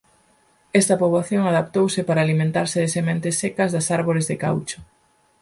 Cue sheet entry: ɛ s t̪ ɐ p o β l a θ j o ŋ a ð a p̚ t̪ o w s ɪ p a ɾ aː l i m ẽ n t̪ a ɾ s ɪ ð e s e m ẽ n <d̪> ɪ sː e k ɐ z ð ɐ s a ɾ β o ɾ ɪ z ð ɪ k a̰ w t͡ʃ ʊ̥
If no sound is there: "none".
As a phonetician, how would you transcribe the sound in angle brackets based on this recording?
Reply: t̪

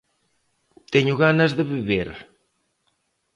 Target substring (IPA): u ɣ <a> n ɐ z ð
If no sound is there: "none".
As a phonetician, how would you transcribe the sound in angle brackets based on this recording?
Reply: a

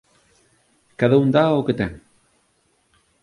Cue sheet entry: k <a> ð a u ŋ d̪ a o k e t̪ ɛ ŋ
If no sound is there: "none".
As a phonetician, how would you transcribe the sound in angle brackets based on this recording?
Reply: a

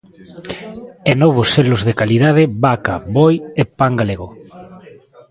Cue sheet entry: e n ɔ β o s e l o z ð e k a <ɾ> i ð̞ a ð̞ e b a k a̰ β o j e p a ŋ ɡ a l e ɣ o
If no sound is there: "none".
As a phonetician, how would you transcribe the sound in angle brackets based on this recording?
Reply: l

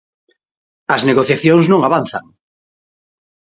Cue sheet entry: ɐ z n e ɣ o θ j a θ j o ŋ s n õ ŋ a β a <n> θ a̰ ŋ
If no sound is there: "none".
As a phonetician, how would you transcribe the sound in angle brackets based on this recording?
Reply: n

